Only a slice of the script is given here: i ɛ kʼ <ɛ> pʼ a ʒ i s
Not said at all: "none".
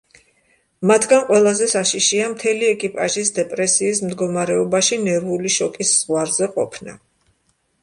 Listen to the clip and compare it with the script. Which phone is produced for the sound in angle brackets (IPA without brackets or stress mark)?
i